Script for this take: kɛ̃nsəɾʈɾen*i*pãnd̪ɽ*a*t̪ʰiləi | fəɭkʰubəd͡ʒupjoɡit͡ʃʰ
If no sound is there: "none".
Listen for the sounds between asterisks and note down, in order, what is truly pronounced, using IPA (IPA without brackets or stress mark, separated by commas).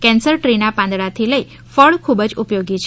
a, a